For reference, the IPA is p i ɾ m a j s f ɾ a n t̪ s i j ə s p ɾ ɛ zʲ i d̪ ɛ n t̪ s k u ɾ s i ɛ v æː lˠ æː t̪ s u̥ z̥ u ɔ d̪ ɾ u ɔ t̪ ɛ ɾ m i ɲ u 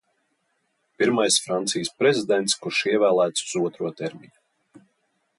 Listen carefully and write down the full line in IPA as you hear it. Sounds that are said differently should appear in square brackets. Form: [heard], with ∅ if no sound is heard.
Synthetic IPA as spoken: p i ɾ m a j s f ɾ a n t̪ s i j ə s p ɾ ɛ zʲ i d̪ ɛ n t̪ s k u ɾ [ʃ] i ɛ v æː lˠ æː t̪ s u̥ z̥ u ɔ [t̪] ɾ u ɔ t̪ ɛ ɾ m i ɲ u